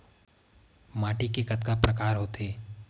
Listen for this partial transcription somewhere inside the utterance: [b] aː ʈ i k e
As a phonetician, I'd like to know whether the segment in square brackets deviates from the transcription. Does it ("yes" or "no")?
yes